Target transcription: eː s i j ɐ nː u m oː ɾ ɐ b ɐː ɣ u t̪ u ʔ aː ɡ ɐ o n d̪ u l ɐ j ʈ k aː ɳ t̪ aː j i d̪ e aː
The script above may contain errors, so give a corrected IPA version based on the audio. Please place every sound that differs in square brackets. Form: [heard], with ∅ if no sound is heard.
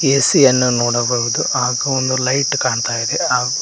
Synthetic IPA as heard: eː s i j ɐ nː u [n] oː [ɽ] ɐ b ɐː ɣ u [d̪] u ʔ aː ɡ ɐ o n d̪ u l ɐ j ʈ k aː ɳ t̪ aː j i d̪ e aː